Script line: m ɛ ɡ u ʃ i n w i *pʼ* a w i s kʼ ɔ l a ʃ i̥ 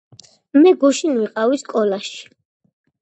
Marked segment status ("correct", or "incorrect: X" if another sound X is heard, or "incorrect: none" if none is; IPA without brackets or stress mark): incorrect: qʼ